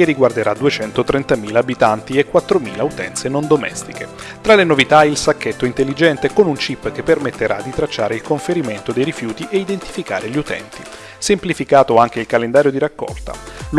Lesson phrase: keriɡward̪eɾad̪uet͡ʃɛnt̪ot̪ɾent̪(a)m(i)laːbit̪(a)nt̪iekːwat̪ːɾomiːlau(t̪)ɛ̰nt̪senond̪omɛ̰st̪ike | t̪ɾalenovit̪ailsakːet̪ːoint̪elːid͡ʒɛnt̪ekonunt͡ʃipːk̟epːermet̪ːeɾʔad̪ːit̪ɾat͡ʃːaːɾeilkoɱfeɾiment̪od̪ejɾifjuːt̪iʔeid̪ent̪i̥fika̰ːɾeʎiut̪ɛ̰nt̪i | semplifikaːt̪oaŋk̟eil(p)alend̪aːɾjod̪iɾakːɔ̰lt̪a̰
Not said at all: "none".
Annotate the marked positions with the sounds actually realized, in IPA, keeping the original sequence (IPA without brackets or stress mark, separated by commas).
a, iː, a, t̪, k